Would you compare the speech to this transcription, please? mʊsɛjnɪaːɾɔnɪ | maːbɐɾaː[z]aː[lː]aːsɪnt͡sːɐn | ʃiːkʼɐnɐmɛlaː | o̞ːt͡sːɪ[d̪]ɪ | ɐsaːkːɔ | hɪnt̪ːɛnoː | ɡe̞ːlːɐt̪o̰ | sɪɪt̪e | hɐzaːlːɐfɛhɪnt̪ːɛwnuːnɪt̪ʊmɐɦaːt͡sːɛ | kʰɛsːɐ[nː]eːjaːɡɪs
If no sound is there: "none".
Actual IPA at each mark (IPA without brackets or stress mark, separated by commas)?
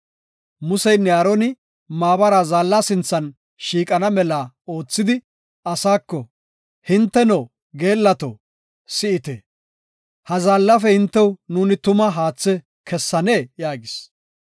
z, lː, d̪, n